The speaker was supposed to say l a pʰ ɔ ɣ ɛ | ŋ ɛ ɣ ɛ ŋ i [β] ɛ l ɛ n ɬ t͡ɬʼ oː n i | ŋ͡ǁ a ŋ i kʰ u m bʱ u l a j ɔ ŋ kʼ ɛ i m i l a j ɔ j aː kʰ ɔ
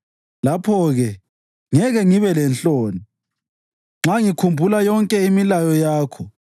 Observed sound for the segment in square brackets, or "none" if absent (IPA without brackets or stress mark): β